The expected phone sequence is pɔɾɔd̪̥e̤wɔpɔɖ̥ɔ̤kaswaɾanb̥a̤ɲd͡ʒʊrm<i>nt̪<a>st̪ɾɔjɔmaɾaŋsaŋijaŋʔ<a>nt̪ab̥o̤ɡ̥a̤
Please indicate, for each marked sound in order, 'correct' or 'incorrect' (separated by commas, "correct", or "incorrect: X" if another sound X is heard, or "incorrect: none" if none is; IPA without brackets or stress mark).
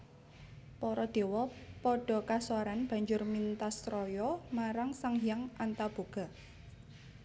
correct, correct, correct